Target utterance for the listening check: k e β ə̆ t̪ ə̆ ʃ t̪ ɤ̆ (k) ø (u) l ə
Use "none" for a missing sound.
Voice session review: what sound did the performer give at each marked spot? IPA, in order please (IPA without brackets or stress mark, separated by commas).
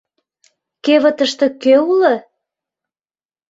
k, u